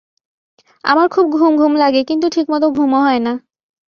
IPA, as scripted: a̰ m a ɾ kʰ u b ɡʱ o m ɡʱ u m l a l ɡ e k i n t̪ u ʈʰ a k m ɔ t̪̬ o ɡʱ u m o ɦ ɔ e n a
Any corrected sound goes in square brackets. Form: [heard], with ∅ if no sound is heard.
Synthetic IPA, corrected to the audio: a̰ m a ɾ kʰ u b ɡʱ [u] m ɡʱ u m l a [∅] ɡ e k i n t̪ u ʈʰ [i] k m ɔ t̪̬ o ɡʱ u m o ɦ ɔ e n a

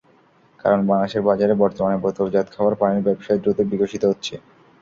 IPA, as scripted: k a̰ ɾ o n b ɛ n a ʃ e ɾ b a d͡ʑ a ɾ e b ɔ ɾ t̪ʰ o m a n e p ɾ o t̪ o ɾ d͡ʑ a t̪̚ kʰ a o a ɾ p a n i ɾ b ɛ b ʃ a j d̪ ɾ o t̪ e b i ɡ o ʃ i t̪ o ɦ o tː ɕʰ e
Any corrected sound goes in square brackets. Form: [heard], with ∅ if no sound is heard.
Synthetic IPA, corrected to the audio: k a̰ ɾ o n b [a] n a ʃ e ɾ b a d͡ʑ a ɾ e b ɔ ɾ [t̪] o m a n e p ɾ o t̪ o ɾ d͡ʑ a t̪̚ kʰ a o a ɾ p a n i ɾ b ɛ b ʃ a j d̪ ɾ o t̪ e b i ɡ o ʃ i t̪ o ɦ o tː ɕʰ e

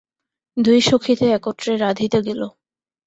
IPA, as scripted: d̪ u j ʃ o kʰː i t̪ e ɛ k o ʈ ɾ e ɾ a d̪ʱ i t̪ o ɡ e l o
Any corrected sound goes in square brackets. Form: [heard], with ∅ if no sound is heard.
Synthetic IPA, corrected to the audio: d̪ u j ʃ o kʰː i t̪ e ɛ k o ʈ ɾ e ɾ a d̪ʱ i t̪ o ɡ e l o

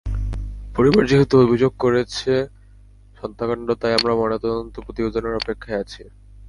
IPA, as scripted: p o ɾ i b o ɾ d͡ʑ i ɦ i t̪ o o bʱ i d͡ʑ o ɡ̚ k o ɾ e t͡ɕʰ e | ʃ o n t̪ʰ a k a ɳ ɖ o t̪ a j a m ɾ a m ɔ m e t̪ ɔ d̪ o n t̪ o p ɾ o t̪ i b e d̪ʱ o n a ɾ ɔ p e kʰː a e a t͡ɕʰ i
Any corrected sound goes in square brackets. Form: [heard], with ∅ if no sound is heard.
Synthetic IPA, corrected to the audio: p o ɾ i b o ɾ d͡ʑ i ɦ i t̪ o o bʱ i d͡ʑ o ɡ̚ k o ɾ e t͡ɕʰ e | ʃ [ɔ] n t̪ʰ a k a ɳ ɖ o t̪ a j a m ɾ a m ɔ [n] e t̪ ɔ d̪ o n t̪ o p ɾ o t̪ i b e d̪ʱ o n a ɾ ɔ p e kʰː a e a t͡ɕʰ i

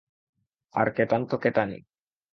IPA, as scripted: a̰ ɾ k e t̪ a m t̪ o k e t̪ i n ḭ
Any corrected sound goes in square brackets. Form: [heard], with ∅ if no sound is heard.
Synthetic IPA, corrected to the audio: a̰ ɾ k e t̪ a [n] t̪ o k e t̪ [a] n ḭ

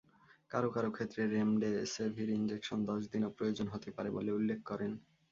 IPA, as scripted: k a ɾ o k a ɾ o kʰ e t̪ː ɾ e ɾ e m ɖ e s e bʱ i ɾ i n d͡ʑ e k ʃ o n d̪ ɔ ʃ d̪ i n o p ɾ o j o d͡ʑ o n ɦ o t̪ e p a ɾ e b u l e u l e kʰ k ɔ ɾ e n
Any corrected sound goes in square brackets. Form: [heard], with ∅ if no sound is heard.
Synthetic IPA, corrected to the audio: k a ɾ o k a ɾ o kʰ e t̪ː ɾ e ɾ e m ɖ e s e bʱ i ɾ i n d͡ʑ e k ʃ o n d̪ ɔ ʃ d̪ i n o p ɾ o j o d͡ʑ o n ɦ o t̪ e p a ɾ e b [o] l e u [lː] e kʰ k ɔ ɾ e n

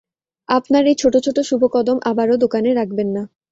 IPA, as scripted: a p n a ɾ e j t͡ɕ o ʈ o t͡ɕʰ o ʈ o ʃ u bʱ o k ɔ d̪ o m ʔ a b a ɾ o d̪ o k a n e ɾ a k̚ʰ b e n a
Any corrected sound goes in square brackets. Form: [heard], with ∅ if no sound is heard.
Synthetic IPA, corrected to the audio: a p n a ɾ e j [t͡ɕʰ] o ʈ o t͡ɕʰ o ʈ o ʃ u bʱ o k ɔ d̪ o m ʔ a b a ɾ o d̪ o k a n e ɾ a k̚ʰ b e [nː] a

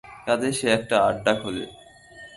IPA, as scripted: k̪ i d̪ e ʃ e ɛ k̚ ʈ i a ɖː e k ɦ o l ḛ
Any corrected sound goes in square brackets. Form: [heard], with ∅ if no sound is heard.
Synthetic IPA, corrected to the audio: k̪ [a] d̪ e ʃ e ɛ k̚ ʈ [a] a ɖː [a] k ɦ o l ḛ

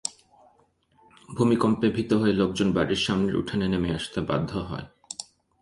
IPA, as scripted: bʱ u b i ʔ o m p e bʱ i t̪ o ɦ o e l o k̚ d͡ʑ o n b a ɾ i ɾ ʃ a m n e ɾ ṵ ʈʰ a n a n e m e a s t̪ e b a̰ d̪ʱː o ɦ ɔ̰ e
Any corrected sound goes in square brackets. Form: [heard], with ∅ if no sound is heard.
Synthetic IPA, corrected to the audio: bʱ u [m] i [k] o m p e bʱ i t̪ o ɦ o e l o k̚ d͡ʑ o n b a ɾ i ɾ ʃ a m n e ɾ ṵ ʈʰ a n [e] n e m e a [ʃ] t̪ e b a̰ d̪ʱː o ɦ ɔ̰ e

